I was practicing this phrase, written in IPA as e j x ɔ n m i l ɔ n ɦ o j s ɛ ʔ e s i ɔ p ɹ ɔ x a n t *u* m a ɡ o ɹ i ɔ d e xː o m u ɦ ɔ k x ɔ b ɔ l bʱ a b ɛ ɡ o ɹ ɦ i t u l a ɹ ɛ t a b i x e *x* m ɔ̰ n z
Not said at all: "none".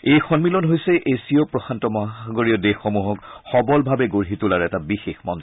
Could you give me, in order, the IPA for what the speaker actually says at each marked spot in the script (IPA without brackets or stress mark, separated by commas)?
ɔ, x